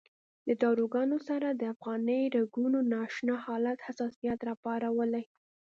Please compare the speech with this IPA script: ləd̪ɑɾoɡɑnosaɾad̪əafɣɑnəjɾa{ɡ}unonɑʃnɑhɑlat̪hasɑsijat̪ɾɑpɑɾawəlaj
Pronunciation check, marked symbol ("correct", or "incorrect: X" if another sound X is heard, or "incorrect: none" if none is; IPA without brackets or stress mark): correct